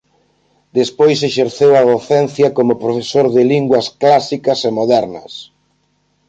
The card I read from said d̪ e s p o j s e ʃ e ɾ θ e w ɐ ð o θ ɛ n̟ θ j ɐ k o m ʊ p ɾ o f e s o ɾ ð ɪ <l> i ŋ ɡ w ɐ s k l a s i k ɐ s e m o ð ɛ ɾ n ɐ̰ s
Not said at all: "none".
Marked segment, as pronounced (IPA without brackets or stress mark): l